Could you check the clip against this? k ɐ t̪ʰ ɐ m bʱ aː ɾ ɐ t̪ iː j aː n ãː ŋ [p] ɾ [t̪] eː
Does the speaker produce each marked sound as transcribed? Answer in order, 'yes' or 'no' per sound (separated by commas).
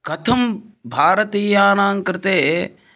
no, yes